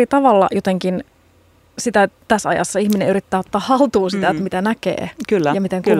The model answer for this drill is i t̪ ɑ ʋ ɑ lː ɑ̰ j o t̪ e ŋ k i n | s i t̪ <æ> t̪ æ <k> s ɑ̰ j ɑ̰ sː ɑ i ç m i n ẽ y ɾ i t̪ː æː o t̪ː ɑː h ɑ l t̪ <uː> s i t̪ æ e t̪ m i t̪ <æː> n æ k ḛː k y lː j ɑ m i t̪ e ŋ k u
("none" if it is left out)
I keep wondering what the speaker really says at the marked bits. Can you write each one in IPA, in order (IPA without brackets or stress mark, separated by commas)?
æ, none, uː, æ